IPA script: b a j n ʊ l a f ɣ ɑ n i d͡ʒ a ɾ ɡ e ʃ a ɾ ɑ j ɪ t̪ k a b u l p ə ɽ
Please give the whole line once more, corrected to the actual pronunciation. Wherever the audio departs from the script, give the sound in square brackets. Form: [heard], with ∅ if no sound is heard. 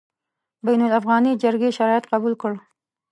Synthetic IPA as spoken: b a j n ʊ l a f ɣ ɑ n i d͡ʒ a ɾ ɡ e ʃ a ɾ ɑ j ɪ t̪ [q] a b u l [k] ə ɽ